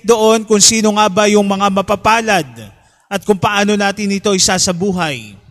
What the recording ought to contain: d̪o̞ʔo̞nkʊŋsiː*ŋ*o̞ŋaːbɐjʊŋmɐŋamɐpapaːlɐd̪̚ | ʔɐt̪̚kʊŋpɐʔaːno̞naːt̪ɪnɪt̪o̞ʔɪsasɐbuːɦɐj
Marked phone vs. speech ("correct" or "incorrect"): incorrect